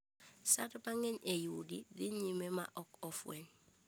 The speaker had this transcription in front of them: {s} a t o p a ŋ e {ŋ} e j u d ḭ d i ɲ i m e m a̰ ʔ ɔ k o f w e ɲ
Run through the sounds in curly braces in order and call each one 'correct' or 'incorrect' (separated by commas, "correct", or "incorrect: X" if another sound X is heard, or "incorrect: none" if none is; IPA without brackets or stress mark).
correct, incorrect: ɲ